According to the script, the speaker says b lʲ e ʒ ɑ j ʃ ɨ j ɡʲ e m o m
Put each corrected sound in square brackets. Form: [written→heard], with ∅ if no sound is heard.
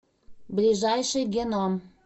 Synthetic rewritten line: b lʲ [e→i] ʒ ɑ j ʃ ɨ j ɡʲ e [m→n] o m